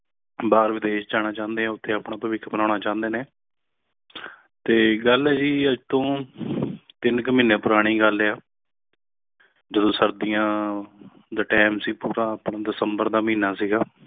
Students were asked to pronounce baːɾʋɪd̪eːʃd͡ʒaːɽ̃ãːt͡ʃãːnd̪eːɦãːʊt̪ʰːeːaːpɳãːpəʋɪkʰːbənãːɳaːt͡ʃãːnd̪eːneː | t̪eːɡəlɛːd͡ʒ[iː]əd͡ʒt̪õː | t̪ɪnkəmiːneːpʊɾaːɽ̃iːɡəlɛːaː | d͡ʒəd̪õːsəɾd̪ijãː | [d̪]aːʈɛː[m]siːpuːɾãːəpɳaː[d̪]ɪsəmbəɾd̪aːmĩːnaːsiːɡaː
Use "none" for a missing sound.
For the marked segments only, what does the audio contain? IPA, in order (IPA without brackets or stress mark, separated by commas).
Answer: iː, d̪, m, d̪